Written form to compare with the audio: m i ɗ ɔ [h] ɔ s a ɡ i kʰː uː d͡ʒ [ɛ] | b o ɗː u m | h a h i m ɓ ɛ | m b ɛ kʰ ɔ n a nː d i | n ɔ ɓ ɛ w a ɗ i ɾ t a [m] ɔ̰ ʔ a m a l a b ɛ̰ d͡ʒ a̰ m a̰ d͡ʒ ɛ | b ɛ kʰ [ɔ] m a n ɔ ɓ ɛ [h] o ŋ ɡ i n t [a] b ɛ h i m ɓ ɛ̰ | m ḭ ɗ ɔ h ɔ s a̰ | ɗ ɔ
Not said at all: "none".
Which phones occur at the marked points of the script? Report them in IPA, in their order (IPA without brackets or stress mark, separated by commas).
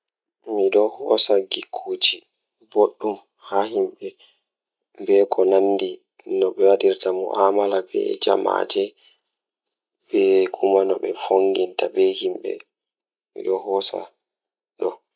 h, i, m, u, f, a